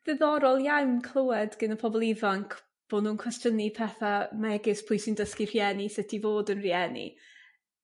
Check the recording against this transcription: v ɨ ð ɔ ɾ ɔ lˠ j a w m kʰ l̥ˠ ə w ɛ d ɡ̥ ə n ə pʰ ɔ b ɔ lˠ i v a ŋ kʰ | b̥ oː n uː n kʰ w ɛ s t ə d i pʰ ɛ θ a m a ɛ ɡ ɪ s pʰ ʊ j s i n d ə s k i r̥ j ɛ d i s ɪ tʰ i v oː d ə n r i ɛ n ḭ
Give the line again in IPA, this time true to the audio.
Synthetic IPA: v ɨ ð ɔ ɾ ɔ lˠ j a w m kʰ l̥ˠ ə w ɛ d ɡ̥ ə n ə pʰ ɔ b ɔ lˠ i v a ŋ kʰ | b̥ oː n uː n kʰ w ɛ s t ə n i pʰ ɛ θ a m a ɛ ɡ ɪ s pʰ ʊ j s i n d ə s k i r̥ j ɛ n i s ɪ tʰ i v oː d ə n r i ɛ n ḭ